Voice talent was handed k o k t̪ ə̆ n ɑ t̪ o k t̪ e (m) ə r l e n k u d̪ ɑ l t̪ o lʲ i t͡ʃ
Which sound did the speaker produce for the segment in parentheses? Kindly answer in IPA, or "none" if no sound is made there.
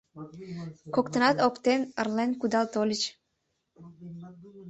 n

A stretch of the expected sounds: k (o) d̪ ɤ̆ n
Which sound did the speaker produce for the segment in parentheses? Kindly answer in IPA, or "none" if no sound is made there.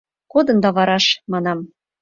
o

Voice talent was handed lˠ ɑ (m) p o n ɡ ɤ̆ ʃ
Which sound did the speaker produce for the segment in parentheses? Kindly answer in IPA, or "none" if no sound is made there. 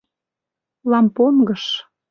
m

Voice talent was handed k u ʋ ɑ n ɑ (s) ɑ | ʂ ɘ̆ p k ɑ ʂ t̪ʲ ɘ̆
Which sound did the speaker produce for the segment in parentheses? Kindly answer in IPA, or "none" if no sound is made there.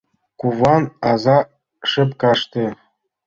z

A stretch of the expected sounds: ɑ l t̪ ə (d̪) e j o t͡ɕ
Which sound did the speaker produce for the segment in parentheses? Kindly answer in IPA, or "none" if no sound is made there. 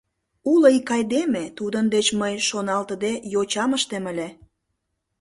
d̪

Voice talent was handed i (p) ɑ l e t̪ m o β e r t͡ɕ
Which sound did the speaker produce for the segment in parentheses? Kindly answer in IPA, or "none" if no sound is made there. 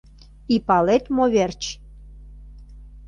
p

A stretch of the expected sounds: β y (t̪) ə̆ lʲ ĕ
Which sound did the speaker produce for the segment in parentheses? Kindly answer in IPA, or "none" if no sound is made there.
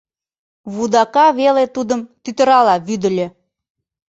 d̪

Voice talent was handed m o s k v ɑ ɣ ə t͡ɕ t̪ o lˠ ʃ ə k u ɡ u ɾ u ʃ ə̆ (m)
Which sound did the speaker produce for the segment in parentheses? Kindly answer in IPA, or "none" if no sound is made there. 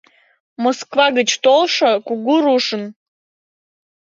n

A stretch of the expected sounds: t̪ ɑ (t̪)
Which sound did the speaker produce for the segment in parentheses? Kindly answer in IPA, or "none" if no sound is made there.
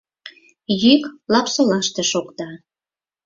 none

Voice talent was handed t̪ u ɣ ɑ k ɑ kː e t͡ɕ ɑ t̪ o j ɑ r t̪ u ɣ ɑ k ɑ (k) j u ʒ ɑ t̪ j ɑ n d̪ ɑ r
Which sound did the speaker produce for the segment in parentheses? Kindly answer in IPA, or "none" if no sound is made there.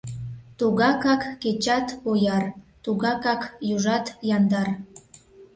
k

